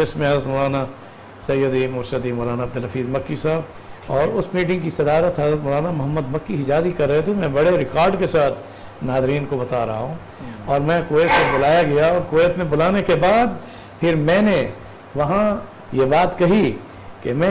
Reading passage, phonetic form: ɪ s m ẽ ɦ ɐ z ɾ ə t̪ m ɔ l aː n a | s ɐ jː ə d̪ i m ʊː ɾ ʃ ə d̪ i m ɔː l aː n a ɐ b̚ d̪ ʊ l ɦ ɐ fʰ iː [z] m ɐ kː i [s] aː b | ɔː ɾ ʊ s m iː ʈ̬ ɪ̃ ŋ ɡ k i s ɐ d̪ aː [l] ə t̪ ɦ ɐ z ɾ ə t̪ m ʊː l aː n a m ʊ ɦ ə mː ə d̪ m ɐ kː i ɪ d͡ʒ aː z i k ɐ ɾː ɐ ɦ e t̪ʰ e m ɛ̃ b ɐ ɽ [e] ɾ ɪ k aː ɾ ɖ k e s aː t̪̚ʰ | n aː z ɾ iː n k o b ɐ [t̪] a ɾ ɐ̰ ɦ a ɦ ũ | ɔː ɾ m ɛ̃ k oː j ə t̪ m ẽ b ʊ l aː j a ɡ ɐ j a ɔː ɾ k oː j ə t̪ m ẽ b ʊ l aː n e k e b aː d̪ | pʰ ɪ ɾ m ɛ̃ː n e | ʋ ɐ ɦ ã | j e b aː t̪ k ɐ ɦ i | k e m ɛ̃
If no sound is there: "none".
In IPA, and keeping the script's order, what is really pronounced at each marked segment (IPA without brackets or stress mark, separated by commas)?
z, s, ɾ, e, t̪